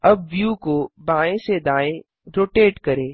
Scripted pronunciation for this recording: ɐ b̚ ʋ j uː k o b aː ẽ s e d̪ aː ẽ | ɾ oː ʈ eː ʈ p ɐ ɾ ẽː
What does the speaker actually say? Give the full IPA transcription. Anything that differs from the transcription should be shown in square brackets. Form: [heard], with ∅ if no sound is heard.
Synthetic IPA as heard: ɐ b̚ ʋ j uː k o b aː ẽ s e d̪ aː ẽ | ɾ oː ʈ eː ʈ [k] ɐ ɾ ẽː